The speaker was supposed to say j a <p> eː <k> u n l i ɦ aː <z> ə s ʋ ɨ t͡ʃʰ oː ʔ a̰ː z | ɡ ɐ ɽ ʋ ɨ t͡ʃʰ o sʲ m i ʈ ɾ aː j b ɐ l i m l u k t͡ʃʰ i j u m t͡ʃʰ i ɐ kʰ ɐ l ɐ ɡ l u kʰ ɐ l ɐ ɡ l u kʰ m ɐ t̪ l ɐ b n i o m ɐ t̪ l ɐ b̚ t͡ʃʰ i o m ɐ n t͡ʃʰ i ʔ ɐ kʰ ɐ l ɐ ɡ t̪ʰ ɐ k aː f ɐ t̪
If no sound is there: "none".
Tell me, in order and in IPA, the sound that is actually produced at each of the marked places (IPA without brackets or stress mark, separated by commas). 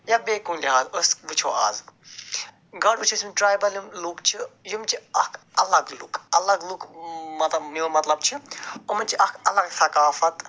b, k, z